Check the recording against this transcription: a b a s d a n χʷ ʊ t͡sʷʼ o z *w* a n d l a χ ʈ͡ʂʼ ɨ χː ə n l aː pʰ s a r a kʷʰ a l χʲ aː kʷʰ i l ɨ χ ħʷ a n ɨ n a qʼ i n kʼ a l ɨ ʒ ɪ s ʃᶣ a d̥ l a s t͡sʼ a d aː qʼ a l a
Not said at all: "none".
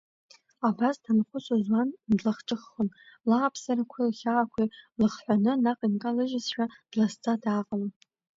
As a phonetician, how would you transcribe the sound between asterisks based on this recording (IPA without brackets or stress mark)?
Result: w